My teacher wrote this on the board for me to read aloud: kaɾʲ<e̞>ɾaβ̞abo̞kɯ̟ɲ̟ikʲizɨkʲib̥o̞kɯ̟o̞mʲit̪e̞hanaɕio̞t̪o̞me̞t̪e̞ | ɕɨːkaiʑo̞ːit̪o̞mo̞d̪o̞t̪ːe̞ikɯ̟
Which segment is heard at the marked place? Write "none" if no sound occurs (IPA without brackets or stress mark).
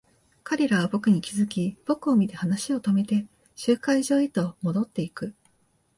e̞